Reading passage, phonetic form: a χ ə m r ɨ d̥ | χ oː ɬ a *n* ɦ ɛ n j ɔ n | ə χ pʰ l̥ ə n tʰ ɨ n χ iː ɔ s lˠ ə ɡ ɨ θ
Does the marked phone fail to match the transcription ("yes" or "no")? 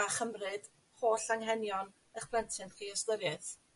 yes